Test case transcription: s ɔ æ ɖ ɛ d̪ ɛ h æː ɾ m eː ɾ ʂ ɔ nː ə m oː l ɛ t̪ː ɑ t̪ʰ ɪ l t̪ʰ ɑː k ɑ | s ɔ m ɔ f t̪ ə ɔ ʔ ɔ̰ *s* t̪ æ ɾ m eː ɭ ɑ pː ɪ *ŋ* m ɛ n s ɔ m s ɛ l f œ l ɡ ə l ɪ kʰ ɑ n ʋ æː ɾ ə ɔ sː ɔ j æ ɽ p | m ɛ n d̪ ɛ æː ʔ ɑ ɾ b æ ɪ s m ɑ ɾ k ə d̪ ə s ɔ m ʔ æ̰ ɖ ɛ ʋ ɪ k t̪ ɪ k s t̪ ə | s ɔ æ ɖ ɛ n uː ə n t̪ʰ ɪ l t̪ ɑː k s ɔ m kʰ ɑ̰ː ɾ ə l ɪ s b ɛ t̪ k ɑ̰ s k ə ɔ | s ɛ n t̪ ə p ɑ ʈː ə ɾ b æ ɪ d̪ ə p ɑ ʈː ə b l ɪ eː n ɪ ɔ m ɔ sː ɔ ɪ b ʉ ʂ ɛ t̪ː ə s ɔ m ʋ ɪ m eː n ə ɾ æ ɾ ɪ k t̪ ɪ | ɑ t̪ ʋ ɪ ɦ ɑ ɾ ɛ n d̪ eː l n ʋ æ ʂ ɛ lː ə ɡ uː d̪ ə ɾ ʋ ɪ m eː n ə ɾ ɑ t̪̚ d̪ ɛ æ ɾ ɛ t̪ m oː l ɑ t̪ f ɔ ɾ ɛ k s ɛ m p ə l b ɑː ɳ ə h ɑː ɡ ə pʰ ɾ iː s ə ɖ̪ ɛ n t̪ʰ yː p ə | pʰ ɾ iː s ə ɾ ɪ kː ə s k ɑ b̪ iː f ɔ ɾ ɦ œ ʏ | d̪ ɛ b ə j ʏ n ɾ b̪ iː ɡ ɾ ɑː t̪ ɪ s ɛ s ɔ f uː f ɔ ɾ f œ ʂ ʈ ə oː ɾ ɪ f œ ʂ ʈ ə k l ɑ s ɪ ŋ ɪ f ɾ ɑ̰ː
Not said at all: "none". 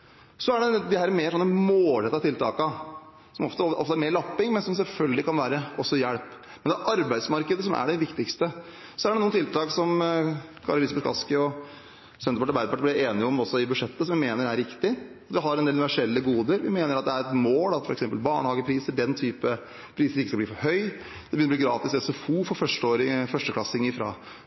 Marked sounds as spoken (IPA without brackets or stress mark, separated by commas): f, ŋ